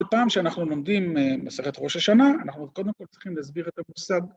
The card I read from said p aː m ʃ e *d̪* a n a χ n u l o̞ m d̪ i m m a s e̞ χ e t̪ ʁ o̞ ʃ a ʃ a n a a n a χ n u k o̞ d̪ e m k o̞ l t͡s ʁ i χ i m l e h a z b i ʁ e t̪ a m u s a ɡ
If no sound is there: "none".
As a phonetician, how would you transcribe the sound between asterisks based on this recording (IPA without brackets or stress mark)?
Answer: none